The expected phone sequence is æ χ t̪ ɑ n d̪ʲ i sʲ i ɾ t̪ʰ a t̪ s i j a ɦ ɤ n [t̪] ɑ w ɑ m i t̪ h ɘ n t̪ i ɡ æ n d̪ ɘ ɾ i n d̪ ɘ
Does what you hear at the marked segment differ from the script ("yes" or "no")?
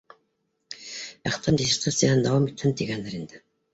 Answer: yes